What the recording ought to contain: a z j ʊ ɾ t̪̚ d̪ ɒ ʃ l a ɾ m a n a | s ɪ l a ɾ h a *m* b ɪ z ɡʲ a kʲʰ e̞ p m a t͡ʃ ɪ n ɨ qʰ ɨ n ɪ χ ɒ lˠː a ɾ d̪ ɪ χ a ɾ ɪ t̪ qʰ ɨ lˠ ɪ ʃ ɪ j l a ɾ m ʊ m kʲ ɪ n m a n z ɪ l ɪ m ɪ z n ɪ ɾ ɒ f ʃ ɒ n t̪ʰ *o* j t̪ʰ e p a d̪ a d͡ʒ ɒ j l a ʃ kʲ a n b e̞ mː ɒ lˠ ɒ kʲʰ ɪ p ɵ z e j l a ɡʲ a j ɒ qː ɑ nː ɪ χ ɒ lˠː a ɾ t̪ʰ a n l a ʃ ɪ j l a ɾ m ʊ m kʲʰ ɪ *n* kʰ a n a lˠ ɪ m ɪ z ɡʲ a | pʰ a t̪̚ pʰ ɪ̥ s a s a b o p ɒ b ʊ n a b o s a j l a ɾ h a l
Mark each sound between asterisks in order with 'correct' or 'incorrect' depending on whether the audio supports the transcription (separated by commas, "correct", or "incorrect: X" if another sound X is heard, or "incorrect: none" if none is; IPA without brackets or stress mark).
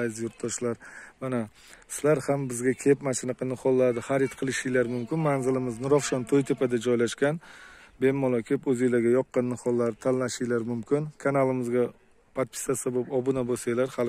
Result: correct, correct, correct